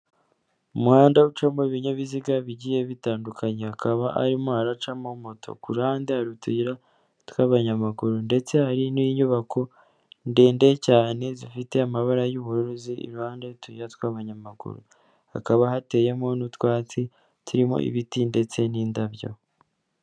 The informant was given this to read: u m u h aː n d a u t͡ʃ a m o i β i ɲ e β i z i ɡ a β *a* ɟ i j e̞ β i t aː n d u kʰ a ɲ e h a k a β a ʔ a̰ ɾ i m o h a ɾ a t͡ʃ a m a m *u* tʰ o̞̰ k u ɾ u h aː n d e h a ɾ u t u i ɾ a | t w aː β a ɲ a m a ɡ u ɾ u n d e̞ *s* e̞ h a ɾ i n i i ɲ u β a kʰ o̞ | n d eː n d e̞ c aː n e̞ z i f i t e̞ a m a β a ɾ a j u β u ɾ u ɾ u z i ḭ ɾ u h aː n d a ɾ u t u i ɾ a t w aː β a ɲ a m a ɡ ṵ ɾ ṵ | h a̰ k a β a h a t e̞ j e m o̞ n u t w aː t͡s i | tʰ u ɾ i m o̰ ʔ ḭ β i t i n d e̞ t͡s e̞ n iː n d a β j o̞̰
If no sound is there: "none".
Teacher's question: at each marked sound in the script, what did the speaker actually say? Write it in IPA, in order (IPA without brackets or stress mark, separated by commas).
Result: i, o, t͡s